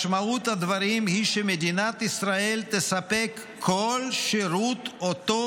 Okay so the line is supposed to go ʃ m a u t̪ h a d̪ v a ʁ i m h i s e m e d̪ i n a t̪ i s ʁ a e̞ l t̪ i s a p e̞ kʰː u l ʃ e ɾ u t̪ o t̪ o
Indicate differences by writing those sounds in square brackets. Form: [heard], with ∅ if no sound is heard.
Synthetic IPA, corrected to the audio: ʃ m a u t̪ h a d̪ v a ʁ i m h i [ʃ] e m e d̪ i n a t̪ i s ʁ a e̞ l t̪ [e] s a p e̞ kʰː [o] l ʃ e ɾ u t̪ o t̪ o